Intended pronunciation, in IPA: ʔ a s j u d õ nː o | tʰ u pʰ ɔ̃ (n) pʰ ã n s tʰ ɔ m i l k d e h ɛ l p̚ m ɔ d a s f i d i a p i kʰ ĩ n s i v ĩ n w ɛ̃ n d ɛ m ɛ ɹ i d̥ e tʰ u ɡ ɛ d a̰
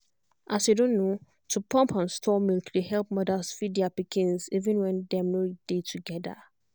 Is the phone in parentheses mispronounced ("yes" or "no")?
yes